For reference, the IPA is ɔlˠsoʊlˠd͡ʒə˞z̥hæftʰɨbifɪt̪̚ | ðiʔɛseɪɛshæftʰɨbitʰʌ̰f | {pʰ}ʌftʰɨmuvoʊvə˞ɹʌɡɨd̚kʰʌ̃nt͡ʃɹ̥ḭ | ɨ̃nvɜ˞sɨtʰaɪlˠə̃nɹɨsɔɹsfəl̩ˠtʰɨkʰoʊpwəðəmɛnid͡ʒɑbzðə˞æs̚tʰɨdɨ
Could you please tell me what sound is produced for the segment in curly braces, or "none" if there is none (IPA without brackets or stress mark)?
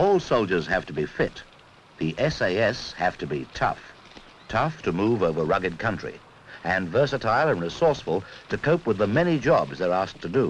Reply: tʰ